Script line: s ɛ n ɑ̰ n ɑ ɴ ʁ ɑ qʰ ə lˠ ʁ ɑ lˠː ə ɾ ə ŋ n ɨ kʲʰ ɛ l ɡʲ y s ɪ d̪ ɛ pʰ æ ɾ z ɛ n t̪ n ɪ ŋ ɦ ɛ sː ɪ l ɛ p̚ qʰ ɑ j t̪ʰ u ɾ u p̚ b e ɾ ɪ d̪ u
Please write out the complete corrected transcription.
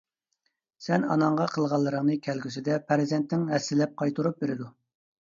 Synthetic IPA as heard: s ɛ n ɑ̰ n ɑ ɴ ʁ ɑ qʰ ə lˠ ʁ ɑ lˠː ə ɾ ə ŋ n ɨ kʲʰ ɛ l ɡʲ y s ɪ d̪ ɛ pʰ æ ɾ z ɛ n t̪ n ɪ ŋ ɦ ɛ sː ɪ l ɛ p̚ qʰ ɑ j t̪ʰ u ɾ u p̚ b e ɾ ɪ d̪ u